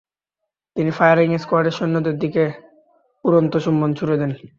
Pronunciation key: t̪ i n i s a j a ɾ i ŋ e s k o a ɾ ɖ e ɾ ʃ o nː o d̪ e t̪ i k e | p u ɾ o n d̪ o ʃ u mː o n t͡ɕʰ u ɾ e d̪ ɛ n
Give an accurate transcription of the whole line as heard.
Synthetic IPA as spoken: t̪ i n i f a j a ɾ i ŋ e s k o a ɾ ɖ e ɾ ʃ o nː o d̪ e d̪ i k e | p u ɾ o n t̪ o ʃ u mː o n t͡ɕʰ u ɾ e d̪ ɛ n

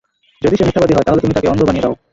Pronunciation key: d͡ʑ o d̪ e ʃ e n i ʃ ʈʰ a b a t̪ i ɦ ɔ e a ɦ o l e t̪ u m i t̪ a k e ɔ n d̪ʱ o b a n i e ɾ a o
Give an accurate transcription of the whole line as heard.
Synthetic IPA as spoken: d͡ʑ o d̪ i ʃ e n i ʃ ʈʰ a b a d̪ i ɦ ɔ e a ɦ o l e t̪ u m i t̪ a k e ɔ n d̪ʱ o b a n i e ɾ a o

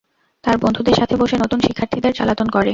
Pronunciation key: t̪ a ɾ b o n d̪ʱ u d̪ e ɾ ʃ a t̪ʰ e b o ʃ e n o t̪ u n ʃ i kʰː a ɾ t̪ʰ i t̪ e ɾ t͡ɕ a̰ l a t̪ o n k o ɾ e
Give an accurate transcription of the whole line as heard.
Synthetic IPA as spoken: t̪ a ɾ b o n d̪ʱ u d̪ e ɾ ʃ a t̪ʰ e b o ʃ e n o t̪ u n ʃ i kʰː a ɾ t̪ʰ i d̪ e ɾ t͡ɕ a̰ l a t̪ o n k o ɾ e

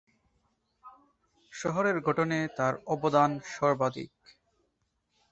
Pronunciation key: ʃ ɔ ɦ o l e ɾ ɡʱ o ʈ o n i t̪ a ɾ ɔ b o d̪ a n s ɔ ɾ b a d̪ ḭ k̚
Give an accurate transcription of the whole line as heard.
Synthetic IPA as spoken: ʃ ɔ ɦ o ɾ e ɾ ɡʱ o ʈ o n e t̪ a ɾ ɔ b o d̪ a n ʃ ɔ ɾ b a d̪ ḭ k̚

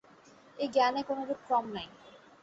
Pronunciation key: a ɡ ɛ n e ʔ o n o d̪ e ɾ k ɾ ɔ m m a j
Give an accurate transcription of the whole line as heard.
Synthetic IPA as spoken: e ɡ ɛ n e k o n o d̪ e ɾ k ɾ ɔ m n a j

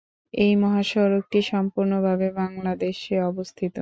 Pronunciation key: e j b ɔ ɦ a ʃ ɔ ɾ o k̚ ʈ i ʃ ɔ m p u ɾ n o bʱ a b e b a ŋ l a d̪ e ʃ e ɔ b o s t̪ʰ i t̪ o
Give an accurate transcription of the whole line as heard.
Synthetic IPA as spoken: e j m ɔ ɦ a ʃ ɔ ɾ o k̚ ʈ i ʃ ɔ m p u ɾ n o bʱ a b e b a ŋ l a d̪ e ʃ e ɔ b o s t̪ʰ i t̪ o

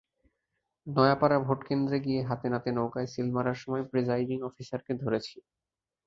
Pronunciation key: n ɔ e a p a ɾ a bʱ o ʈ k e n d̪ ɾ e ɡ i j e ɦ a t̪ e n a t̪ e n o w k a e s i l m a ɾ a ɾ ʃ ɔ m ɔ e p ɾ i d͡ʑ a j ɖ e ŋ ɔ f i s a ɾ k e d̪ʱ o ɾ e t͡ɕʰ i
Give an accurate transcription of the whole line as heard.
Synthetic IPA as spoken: n ɔ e a p a ɾ a bʱ o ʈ k e n d̪ ɾ e ɡ i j e ɦ a t̪ e n a t̪ e n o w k a e s i l m a ɾ a ɾ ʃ ɔ m ɔ e p ɾ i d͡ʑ a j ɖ i ŋ ɔ f i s a ɾ k e d̪ʱ o ɾ e t͡ɕʰ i

